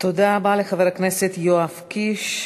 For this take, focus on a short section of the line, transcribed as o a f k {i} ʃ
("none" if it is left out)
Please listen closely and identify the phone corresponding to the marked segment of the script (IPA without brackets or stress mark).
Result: i